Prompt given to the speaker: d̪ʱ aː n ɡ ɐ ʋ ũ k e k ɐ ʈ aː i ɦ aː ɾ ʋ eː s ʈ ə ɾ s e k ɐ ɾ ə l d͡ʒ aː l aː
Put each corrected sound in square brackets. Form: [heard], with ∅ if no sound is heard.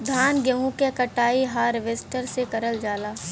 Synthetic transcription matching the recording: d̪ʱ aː n ɡ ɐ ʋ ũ k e k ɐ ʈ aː i ɦ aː ɾ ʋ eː s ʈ ə ɾ s e k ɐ ɾ ə l d͡ʒ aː l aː